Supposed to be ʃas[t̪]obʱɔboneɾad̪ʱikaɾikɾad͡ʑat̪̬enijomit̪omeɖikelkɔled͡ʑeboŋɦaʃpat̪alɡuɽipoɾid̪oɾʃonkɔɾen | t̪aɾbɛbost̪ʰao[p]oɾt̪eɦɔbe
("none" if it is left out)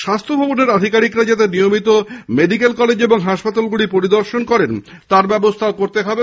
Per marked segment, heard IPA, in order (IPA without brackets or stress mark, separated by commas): t̪ʰ, k